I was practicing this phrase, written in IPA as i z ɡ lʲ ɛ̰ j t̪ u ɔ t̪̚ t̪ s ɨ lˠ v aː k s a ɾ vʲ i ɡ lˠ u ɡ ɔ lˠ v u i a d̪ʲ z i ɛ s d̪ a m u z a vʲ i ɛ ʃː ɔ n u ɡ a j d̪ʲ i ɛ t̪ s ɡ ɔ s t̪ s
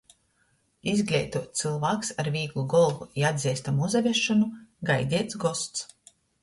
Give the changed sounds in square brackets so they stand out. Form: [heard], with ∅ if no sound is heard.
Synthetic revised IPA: i z ɡ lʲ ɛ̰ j t̪ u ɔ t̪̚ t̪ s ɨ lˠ v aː k s a ɾ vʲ [iː] ɡ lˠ u ɡ ɔ lˠ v u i a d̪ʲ z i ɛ s [t̪] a m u z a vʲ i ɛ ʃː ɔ n u ɡ a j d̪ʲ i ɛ t̪ s ɡ ɔ s t̪ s